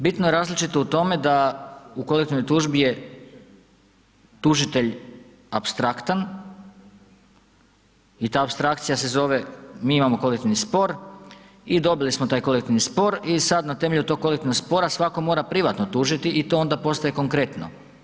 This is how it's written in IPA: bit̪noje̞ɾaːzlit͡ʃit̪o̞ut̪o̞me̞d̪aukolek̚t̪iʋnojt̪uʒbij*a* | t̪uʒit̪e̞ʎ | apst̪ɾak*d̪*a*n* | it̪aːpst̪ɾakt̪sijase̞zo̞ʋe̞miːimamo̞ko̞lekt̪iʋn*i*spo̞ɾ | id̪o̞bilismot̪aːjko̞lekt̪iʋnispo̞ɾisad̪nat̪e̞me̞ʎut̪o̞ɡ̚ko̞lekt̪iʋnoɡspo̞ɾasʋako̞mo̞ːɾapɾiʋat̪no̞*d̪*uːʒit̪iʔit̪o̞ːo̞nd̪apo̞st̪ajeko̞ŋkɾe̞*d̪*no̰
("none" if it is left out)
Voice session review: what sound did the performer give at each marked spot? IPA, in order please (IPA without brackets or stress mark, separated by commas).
e, t̪, n, i, t̪, t̪